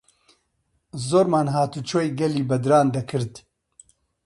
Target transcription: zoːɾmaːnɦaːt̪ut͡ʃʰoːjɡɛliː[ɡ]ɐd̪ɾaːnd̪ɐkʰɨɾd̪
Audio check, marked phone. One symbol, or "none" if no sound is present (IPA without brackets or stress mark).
b